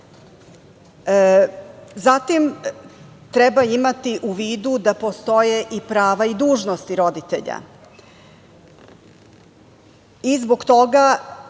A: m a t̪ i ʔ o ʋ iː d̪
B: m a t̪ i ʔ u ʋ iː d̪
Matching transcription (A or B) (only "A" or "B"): B